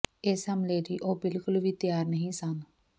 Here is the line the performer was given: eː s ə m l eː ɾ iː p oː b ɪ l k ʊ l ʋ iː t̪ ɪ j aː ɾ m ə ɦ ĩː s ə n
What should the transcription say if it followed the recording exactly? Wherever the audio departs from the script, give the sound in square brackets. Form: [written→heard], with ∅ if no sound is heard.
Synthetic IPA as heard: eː s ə m l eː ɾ iː [p→ʔ] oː b ɪ l k ʊ l ʋ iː t̪ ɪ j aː ɾ [m→n] ə ɦ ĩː s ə n

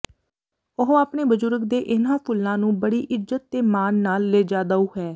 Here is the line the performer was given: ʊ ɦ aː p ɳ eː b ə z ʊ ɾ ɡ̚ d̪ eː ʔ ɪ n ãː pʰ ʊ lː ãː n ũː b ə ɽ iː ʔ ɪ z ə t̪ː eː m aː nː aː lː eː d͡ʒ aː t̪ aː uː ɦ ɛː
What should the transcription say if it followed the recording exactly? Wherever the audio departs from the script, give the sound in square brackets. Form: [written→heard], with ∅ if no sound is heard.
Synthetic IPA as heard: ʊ ɦ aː p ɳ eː b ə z ʊ ɾ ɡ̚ d̪ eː ʔ ɪ n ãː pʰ ʊ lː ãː n ũː b ə ɽ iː ʔ ɪ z ə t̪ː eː m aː nː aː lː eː d͡ʒ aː [t̪→d̪] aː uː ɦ ɛː

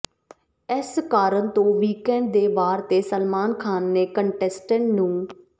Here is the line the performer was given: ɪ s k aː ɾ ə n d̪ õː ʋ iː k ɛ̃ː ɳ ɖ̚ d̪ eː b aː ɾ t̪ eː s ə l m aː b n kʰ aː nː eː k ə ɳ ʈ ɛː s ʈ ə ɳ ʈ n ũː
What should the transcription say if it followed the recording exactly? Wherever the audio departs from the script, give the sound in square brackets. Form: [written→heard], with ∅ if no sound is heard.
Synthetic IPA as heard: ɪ s k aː ɾ ə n [d̪→t̪] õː ʋ iː k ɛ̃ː ɳ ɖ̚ d̪ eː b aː ɾ t̪ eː s ə l m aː [b→∅] n kʰ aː nː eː k ə ɳ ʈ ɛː s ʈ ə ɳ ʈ n ũː

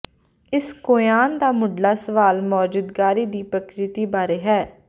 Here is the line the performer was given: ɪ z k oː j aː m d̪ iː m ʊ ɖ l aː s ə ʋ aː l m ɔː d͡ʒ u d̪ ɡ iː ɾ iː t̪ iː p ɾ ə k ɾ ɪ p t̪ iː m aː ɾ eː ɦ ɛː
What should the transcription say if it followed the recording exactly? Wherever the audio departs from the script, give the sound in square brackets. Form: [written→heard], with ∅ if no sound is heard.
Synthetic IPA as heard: ɪ [z→s] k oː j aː [m→n] d̪ [iː→aː] m ʊ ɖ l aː s ə ʋ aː l m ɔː d͡ʒ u d̪ ɡ [iː→aː] ɾ iː [t̪→d̪] iː p ɾ ə k ɾ ɪ [p→∅] t̪ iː [m→b] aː ɾ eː ɦ ɛː

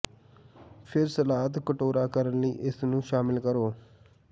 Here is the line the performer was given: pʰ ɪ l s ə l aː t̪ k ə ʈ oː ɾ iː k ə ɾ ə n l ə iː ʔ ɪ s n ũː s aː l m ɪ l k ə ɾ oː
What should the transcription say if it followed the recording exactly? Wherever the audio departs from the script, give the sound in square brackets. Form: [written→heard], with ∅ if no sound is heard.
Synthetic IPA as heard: pʰ ɪ [l→ɾ] s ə l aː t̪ k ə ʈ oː ɾ [iː→aː] k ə ɾ ə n l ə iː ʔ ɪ s n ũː [s→ʃ] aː [l→∅] m ɪ l k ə ɾ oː

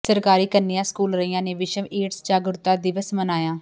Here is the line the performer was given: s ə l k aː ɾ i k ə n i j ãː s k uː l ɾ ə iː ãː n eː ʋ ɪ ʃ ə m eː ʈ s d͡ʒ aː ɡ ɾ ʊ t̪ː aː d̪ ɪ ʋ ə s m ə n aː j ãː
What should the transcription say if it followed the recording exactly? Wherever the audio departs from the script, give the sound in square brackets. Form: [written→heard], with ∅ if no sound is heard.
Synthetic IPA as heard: s ə [l→ɾ] k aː ɾ [i→iː] k ə n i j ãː s k uː l ɾ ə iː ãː n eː ʋ ɪ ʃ ə m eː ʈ s d͡ʒ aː ɡ ɾ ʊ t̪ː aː d̪ ɪ ʋ ə s m ə n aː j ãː

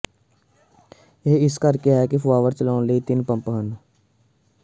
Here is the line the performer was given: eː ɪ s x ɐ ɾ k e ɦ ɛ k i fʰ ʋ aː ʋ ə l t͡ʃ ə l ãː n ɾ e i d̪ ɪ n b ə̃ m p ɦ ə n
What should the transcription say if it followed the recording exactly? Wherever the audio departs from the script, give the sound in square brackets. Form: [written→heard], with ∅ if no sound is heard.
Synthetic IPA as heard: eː ɪ s [x→k] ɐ ɾ k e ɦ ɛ k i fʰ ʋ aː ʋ ə [l→ɾ] t͡ʃ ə l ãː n [ɾ→l] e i [d̪→t̪] ɪ n [b→p] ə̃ m p ɦ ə n

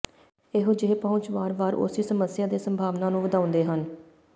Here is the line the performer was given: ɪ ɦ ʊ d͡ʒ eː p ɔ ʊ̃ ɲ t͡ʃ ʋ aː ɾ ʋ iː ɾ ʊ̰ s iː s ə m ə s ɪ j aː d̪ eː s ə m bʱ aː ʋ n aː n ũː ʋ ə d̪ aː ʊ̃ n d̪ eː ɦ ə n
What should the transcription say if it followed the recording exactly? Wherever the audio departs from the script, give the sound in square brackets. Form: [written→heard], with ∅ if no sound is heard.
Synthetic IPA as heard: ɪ ɦ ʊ d͡ʒ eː p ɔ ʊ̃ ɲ t͡ʃ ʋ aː ɾ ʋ [iː→aː] ɾ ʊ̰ s iː s ə m ə s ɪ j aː d̪ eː s ə m bʱ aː ʋ n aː n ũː ʋ ə d̪ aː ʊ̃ n d̪ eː ɦ ə n

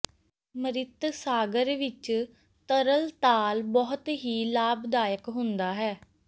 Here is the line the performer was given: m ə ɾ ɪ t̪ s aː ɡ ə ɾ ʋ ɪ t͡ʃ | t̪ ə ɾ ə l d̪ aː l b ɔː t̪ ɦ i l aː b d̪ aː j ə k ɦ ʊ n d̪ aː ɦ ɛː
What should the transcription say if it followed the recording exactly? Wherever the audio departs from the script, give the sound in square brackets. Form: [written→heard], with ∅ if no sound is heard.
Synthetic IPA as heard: m ə ɾ ɪ t̪ s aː ɡ ə ɾ ʋ ɪ t͡ʃ | t̪ ə ɾ ə l [d̪→t̪] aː l b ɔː t̪ ɦ [i→iː] l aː b d̪ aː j ə k ɦ ʊ n d̪ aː ɦ ɛː

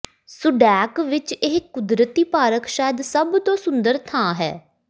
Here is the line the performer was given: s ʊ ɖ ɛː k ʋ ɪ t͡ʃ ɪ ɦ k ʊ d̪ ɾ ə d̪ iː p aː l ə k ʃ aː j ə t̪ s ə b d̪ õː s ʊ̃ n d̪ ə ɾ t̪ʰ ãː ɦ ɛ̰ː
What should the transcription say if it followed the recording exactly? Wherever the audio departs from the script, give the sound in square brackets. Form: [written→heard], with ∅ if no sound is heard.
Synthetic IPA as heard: s ʊ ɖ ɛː k ʋ ɪ t͡ʃ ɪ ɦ k ʊ d̪ ɾ ə [d̪→t̪] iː p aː [l→ɾ] ə k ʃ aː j ə [t̪→d̪] s ə b [d̪→t̪] õː s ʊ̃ n d̪ ə ɾ t̪ʰ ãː ɦ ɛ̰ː

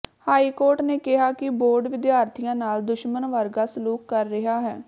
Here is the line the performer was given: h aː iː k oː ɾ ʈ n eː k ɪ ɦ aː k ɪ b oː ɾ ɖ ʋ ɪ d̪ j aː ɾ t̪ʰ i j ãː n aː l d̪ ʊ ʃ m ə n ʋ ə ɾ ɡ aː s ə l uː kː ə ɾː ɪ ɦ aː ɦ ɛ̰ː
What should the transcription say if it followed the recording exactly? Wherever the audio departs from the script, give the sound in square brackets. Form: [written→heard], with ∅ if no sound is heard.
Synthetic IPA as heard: h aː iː k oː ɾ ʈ n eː k ɪ ɦ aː k ɪ b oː ɾ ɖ ʋ ɪ d̪ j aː ɾ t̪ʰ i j ãː n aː l d̪ ʊ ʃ m ə n ʋ ə ɾ ɡ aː s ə l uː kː ə ɾː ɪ ɦ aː ɦ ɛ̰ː

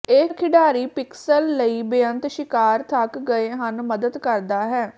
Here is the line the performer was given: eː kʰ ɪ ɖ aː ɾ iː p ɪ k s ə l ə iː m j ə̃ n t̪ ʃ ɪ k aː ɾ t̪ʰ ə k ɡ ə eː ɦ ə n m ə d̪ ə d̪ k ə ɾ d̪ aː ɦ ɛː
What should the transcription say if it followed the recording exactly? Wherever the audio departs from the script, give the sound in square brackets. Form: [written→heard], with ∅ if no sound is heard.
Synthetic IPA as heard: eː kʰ ɪ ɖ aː ɾ iː p ɪ k s ə [l→lː] ə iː [m→b] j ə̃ n t̪ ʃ ɪ k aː ɾ t̪ʰ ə k ɡ ə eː ɦ ə n m ə d̪ ə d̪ k ə ɾ d̪ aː ɦ ɛː

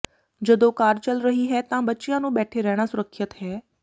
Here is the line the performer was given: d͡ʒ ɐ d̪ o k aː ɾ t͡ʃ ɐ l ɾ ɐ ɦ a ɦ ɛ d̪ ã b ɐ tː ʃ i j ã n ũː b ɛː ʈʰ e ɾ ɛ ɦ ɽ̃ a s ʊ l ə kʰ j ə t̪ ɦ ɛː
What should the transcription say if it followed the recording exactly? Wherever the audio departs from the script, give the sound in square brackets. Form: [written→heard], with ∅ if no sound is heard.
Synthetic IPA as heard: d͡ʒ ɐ d̪ o k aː ɾ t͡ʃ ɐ l ɾ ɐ ɦ [a→i] ɦ ɛ [d̪→t̪] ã b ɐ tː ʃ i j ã n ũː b ɛː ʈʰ e ɾ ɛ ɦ ɽ̃ a s ʊ [l→ɾ] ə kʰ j ə t̪ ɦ ɛː

